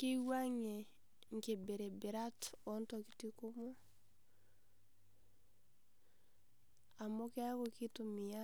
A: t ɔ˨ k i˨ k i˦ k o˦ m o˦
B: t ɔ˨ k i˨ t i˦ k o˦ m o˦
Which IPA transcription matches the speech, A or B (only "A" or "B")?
B